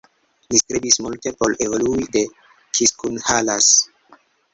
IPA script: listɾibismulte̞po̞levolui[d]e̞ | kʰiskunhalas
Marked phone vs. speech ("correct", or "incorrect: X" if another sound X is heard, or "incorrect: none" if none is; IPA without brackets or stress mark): correct